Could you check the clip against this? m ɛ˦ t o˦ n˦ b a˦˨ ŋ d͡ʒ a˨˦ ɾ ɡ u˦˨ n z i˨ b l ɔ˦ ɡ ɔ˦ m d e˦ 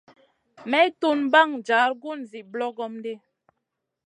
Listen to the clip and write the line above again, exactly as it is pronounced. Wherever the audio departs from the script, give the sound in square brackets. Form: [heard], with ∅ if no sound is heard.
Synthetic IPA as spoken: m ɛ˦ t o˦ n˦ b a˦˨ ŋ d͡ʒ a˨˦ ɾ ɡ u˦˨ n z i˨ b l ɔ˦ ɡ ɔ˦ m d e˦